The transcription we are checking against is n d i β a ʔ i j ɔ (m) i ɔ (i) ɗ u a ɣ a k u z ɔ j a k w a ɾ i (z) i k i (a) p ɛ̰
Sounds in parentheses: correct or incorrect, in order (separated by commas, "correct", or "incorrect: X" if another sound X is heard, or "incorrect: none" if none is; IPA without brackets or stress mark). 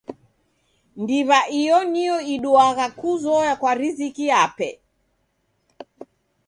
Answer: incorrect: n, correct, correct, correct